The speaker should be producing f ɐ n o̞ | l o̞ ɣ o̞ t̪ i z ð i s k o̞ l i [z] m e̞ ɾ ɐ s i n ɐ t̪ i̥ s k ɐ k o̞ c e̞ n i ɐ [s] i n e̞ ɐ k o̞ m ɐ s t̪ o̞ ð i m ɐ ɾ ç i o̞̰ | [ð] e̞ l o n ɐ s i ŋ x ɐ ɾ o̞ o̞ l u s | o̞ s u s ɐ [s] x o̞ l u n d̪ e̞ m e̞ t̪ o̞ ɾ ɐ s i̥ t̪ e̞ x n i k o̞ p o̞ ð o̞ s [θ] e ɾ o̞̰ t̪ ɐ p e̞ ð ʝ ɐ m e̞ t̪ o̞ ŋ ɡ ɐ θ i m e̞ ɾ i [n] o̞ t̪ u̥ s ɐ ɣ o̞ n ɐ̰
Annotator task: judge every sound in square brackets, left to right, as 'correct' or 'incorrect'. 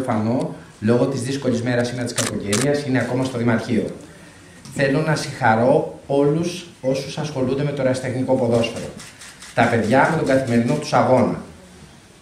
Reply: correct, correct, incorrect: θ, correct, incorrect: f, correct

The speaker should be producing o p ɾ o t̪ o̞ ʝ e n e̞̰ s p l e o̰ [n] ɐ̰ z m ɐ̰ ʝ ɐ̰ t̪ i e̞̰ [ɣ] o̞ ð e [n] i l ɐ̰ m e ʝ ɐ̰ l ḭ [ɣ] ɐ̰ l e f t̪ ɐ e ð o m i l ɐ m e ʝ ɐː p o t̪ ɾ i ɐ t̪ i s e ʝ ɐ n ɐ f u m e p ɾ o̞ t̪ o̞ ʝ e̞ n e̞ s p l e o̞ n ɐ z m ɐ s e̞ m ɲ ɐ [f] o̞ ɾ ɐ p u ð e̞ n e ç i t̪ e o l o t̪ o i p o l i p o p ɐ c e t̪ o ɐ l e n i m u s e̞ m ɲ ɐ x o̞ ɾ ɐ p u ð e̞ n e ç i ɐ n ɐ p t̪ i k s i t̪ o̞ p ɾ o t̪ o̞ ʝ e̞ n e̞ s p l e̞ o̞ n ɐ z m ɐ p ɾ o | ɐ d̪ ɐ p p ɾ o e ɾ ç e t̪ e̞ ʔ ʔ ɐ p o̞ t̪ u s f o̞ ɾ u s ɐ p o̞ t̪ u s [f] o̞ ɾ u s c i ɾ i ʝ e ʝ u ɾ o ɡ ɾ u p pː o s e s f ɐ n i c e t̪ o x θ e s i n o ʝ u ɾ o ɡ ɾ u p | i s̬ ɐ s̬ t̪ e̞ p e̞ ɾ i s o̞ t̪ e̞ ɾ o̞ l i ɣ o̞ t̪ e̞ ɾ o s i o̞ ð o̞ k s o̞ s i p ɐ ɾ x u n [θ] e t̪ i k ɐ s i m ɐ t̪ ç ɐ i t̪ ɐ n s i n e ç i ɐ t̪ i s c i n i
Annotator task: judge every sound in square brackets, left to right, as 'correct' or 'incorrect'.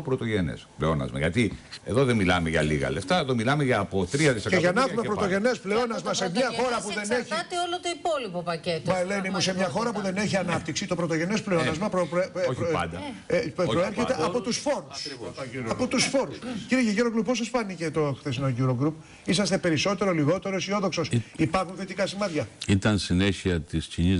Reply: correct, incorrect: ð, incorrect: m, correct, incorrect: x, correct, correct

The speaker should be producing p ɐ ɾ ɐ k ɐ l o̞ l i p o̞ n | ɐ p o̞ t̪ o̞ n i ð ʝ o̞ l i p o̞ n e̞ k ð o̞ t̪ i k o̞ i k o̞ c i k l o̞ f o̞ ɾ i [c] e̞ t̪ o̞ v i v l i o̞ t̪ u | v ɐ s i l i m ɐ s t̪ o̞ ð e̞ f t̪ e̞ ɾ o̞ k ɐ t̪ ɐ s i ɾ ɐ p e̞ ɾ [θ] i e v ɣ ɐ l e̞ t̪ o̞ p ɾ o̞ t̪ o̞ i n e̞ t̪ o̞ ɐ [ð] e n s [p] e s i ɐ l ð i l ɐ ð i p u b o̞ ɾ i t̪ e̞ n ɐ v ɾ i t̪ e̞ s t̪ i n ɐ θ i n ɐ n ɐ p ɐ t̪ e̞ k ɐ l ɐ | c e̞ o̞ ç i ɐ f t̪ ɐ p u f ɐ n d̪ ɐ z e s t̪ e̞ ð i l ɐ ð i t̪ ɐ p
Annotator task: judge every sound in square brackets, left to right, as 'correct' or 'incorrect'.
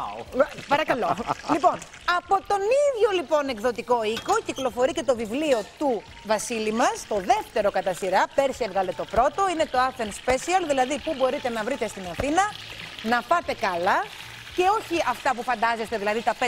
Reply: correct, incorrect: s, incorrect: θ, correct

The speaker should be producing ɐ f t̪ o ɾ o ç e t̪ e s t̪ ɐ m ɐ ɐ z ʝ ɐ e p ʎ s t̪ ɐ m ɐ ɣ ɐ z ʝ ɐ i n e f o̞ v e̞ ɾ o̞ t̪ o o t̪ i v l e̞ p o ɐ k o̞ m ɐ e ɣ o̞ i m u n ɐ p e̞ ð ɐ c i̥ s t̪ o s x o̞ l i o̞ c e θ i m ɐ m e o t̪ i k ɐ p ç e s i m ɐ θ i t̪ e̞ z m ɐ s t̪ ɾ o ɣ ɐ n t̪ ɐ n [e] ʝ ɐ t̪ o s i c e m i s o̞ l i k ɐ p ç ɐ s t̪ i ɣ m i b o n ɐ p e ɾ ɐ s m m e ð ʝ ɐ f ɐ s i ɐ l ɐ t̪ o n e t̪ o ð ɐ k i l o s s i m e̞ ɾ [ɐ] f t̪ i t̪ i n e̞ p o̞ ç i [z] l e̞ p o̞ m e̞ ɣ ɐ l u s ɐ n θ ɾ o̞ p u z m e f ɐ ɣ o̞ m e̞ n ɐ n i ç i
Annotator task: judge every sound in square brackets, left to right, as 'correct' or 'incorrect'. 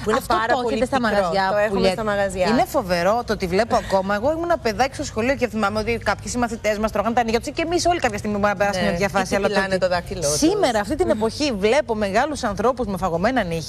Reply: incorrect: i, incorrect: ɐː, incorrect: v

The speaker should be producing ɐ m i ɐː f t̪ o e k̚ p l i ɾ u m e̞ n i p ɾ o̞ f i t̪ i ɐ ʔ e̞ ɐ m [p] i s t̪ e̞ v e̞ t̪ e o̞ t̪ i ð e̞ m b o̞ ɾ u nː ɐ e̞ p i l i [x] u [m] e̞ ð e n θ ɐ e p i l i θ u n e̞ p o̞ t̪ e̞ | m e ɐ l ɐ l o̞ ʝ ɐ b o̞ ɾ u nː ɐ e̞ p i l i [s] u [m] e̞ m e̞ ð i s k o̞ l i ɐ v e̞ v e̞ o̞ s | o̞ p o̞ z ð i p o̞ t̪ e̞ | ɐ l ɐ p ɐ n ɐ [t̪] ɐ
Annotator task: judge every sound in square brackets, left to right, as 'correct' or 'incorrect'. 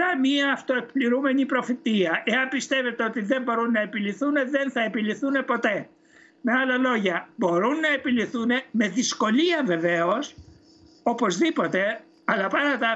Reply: correct, incorrect: θ, incorrect: n, incorrect: θ, incorrect: n, correct

